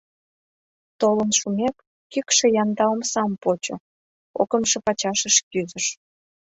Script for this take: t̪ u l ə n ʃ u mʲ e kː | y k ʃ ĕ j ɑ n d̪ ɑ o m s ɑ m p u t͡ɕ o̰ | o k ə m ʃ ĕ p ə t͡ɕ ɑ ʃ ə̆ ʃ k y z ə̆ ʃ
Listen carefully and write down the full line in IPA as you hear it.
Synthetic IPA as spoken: t̪ o l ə n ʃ u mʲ e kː | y k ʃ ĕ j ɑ n d̪ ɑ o m s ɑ m p o t͡ɕ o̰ | o k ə m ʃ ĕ p ɑ t͡ɕ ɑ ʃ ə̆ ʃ k y z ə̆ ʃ